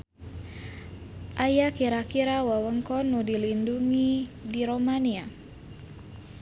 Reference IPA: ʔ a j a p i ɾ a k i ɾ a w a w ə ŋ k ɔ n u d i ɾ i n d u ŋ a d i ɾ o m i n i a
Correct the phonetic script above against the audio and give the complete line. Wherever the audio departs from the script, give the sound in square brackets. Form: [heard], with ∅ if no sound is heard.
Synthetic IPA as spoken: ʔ a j a [k] i ɾ a k i ɾ a w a w ə ŋ k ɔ n u d i [l] i n d u ŋ [i] d i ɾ o m [a] n i a